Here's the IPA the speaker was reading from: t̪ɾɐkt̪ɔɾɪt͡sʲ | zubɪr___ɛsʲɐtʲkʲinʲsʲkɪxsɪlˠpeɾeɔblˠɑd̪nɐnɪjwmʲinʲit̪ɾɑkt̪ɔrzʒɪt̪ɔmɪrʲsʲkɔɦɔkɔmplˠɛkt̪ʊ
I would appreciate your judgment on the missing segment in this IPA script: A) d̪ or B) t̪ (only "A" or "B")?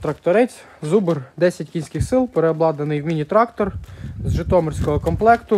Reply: A